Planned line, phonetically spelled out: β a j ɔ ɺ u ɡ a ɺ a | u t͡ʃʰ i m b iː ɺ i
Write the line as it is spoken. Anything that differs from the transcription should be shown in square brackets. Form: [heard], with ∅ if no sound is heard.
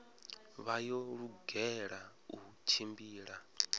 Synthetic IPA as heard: β a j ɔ ɺ u ɡ [ɛ] ɺ a | u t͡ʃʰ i m b iː ɺ [a]